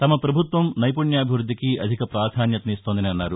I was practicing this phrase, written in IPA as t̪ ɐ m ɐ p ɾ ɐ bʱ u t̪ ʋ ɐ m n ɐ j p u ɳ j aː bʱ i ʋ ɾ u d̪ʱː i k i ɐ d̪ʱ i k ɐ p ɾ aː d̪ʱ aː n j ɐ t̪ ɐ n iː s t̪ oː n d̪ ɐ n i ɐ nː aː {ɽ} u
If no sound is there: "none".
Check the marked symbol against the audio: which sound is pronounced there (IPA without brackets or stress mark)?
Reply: ɾ